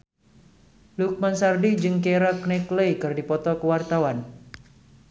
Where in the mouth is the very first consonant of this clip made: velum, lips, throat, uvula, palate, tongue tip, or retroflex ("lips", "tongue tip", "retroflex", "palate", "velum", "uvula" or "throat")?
tongue tip